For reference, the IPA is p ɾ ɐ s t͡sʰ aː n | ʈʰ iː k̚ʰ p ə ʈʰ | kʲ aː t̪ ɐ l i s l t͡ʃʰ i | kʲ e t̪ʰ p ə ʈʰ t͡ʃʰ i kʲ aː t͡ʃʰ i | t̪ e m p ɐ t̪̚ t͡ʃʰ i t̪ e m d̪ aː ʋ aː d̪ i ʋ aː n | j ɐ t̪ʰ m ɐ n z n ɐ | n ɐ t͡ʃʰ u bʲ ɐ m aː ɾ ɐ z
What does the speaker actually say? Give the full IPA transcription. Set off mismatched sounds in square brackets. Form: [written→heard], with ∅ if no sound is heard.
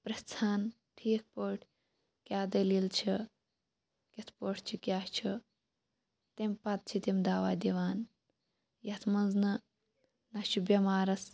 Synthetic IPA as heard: p ɾ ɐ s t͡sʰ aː n | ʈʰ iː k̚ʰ p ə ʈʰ | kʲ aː [t̪→d̪] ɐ l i [s→∅] l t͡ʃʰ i | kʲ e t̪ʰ p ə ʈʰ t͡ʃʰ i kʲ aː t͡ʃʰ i | t̪ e m p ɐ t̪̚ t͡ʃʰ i t̪ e m d̪ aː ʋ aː d̪ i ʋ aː n | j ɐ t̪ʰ m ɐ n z n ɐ | n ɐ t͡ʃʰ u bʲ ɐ m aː ɾ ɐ [z→s]